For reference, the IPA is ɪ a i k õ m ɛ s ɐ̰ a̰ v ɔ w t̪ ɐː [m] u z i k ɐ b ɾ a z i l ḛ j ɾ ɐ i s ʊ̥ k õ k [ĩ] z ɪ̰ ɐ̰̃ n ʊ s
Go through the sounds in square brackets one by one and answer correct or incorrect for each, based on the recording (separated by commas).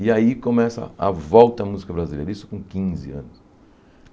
correct, correct